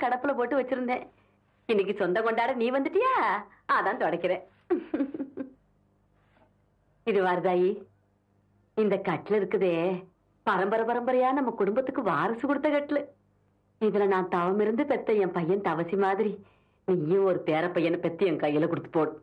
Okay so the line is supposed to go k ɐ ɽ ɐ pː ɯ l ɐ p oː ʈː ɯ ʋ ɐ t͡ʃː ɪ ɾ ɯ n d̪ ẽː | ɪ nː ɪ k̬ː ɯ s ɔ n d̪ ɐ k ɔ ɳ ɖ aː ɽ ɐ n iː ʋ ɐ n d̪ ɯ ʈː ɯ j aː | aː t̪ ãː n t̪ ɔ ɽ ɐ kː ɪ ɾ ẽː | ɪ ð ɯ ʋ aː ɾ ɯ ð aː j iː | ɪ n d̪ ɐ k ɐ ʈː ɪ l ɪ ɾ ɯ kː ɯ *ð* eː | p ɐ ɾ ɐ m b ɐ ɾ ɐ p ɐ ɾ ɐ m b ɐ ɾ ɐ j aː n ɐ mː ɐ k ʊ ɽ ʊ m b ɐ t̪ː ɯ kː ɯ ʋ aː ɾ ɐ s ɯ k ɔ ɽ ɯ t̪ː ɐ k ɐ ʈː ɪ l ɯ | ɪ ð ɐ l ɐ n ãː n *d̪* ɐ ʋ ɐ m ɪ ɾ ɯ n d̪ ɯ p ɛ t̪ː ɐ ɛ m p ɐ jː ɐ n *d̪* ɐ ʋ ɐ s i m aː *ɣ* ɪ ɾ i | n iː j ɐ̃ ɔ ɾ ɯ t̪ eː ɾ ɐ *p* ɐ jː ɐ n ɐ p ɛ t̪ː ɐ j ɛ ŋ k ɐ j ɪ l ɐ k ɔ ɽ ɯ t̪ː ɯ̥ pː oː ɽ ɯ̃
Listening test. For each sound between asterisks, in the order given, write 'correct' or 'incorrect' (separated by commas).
correct, incorrect, incorrect, incorrect, correct